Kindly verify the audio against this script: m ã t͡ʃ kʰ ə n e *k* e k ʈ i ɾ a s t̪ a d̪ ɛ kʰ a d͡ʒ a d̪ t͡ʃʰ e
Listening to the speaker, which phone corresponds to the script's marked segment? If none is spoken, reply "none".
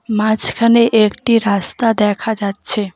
ʔ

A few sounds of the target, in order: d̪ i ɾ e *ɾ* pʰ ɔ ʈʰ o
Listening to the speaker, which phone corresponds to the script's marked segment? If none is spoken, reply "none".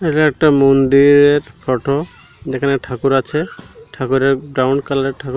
ɾ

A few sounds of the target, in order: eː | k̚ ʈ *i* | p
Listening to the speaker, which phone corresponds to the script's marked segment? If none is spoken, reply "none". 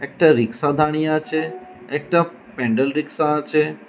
a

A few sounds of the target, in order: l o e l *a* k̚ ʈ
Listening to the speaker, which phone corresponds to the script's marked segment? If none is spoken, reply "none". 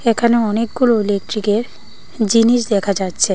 e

